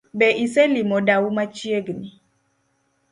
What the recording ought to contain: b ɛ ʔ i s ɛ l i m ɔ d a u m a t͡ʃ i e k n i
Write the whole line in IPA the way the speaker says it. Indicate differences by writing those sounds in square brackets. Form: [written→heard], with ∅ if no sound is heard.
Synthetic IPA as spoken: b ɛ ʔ i s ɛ l i m ɔ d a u m a t͡ʃ i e [k→ɡ] n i

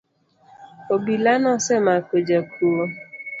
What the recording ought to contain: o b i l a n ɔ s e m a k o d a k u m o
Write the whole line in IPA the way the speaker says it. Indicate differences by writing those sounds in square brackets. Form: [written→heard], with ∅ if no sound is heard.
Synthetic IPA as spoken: o b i l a n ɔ s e m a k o [d→d͡ʒ] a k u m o

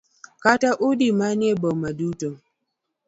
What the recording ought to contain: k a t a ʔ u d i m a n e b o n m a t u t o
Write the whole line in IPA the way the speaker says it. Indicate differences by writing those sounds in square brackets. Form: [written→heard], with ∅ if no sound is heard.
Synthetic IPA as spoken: k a t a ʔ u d i m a n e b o [n→∅] m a [t→d] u t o

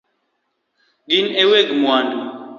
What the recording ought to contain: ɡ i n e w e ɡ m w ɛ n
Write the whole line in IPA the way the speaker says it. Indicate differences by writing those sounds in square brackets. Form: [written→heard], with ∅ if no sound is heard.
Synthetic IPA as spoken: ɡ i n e w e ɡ m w [ɛ→a] n

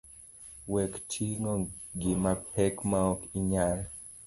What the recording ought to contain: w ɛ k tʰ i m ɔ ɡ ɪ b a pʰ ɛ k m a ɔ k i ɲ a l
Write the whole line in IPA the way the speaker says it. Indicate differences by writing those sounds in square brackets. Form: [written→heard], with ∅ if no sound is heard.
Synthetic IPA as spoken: w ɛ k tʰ i [m→ŋ] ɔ ɡ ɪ [b→m] a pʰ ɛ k m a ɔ k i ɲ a l

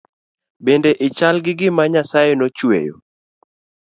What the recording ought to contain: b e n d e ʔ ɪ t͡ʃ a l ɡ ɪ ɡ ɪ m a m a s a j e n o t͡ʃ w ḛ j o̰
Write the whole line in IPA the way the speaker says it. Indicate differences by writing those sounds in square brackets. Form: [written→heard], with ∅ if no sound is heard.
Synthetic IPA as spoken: b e n d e ʔ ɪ t͡ʃ a l ɡ ɪ ɡ ɪ m a [m→ɲ] a s a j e n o t͡ʃ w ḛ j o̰

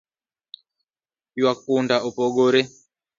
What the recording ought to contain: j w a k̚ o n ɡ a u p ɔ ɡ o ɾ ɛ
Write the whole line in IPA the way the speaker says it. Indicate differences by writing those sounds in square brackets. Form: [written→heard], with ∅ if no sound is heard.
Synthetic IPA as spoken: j w a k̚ [o→u] n [ɡ→d] a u p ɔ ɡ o ɾ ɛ

